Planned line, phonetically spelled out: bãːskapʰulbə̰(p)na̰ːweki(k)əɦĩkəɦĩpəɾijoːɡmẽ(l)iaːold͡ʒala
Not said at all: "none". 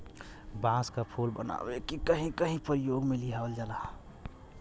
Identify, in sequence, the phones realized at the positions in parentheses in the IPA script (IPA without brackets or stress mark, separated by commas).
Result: none, k, l